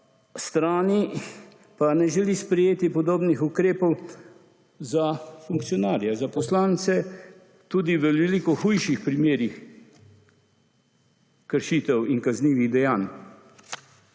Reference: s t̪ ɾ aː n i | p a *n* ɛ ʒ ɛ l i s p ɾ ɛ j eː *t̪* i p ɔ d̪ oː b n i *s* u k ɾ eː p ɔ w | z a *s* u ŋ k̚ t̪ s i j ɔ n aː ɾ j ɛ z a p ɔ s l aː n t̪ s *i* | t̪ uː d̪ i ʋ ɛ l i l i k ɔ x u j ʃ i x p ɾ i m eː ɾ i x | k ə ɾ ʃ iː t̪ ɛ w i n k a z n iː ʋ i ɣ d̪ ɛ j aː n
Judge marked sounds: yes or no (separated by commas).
yes, yes, no, no, no